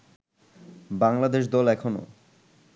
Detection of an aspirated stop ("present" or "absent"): present